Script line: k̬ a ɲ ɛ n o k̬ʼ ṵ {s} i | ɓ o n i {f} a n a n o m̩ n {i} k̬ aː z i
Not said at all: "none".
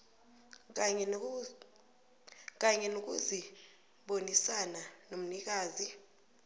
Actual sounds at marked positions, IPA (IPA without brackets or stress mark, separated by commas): z, s, i